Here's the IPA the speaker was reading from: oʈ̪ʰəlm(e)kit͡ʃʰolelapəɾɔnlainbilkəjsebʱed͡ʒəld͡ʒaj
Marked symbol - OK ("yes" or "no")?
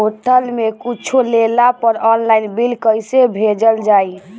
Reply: yes